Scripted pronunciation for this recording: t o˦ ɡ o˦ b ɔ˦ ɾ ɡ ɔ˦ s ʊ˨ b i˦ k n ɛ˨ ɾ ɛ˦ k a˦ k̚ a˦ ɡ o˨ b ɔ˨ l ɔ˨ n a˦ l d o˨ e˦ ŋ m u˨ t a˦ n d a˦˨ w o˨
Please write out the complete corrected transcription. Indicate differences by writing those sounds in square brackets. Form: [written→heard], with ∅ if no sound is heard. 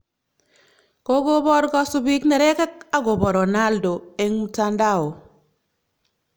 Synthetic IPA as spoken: [t→k] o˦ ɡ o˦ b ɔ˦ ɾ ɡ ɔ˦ s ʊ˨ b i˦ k n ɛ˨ ɾ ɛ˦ k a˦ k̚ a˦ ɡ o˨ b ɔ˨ [l→ɾ] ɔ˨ n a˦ l d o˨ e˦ ŋ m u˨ t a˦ n d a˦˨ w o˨